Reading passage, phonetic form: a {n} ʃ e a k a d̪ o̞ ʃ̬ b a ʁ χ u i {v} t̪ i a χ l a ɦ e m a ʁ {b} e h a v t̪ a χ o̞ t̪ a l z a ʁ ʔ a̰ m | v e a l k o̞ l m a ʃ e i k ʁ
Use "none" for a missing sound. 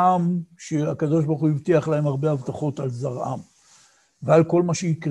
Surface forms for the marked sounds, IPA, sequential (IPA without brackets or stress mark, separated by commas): m, v, b